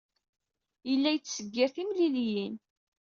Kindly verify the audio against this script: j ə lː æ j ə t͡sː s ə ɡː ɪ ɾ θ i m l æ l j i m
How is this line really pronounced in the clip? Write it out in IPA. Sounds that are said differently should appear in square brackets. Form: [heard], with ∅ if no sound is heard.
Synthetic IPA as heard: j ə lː æ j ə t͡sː s ə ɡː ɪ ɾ θ i m l [i] l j i [n]

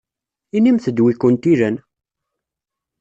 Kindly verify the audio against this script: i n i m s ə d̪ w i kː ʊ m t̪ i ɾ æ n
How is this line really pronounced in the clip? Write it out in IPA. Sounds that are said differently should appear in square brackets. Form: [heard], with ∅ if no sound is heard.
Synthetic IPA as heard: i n i m [θ] ə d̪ w i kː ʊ [n] t̪ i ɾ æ n

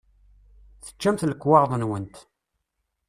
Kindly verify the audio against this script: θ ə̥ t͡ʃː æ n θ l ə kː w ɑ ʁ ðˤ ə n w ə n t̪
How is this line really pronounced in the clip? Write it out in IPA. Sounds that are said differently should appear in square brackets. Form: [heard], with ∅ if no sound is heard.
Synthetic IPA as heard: θ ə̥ t͡ʃː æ [m] θ l ə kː w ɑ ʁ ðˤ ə n w ə n t̪

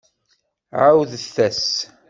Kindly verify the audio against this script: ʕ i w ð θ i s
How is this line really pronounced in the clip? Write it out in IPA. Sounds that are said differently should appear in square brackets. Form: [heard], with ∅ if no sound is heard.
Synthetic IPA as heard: ʕ [a] w ð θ [æ] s

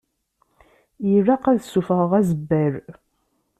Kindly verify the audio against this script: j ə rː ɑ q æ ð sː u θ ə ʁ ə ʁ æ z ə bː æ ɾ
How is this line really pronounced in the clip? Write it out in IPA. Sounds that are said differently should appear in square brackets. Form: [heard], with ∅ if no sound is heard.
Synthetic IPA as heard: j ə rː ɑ q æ ð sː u [f] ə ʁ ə ʁ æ z ə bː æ ɾ

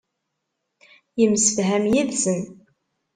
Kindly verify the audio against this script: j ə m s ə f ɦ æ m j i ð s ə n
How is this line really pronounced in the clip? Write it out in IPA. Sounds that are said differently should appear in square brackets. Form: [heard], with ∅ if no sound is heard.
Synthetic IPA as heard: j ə m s ə f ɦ æ m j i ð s ə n

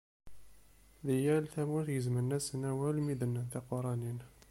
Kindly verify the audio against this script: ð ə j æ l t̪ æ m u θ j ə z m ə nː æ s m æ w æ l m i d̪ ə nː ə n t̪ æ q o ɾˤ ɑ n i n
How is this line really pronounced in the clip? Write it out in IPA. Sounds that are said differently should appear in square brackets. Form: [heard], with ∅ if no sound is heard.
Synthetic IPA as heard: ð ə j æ l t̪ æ m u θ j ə z m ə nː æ s [n] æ w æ l m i d̪ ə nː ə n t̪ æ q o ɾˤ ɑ n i n

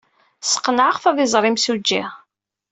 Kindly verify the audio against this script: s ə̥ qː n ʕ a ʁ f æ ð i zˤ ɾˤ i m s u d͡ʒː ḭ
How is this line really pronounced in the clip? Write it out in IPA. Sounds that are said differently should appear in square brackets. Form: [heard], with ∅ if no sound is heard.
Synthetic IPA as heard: s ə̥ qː n ʕ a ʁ f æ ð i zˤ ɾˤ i m s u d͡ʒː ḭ

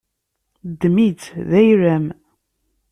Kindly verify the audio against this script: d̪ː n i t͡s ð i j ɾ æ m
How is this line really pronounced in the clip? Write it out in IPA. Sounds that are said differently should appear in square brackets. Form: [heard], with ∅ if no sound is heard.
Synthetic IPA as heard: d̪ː [m] i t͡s ð [æ] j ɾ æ m

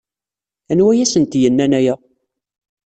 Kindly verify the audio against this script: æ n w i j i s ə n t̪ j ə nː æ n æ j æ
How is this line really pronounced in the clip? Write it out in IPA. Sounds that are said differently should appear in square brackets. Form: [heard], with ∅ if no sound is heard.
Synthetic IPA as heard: æ n w [æ] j [æ] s ə n t̪ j ə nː æ n æ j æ

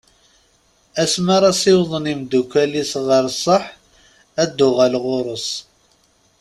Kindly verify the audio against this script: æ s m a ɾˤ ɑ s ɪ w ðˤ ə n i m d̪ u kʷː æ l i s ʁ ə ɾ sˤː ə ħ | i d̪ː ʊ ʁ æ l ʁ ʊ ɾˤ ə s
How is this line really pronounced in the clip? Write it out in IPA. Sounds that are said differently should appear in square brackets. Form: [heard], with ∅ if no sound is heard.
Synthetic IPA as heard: æ s m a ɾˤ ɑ s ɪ w ðˤ ə n i m d̪ u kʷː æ l i s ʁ ə ɾ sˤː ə ħ | [æ] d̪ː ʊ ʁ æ l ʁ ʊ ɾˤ ə s

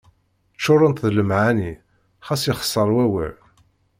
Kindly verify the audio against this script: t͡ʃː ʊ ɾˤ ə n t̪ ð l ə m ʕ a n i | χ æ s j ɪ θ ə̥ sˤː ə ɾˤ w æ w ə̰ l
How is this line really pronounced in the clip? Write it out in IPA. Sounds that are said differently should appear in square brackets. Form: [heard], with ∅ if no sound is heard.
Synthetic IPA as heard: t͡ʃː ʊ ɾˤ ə n t̪ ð l ə m ʕ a n i | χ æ s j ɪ [χ] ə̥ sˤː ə ɾˤ w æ w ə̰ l

